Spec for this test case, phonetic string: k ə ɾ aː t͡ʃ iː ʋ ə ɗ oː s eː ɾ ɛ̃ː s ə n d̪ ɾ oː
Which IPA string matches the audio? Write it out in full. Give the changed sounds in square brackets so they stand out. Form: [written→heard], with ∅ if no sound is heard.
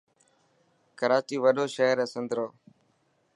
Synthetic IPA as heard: k ə ɾ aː t͡ʃ iː ʋ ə ɗ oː [s→ʃ] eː ɾ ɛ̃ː s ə n d̪ ɾ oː